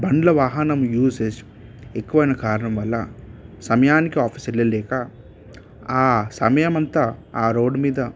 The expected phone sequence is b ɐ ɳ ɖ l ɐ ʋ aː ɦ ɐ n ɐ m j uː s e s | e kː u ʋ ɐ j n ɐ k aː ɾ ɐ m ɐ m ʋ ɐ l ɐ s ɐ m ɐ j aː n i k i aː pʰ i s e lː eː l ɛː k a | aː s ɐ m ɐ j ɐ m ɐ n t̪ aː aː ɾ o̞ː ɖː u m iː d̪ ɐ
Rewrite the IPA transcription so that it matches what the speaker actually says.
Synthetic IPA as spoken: b ɐ ɳ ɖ l ɐ ʋ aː ɦ ɐ n ɐ m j uː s e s | e kː u ʋ ɐ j n ɐ k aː ɾ ɐ ɳ ɐ m ʋ ɐ lː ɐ s ɐ m ɐ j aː n i k i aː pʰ i s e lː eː l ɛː k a | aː s ɐ m ɐ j ɐ m ɐ n t̪ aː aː ɾ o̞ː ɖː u m iː d̪ ɐ